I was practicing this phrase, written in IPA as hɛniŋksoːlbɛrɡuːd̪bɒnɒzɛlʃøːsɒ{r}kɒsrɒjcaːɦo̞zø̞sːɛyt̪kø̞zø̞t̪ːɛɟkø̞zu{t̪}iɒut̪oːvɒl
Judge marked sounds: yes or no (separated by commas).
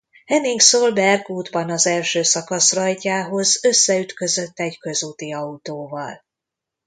no, yes